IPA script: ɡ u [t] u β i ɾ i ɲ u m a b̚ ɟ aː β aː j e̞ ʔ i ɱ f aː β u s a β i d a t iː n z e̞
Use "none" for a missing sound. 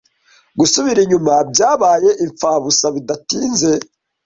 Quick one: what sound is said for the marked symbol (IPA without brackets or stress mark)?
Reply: s